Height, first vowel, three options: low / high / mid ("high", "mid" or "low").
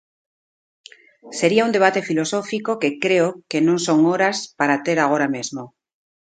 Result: mid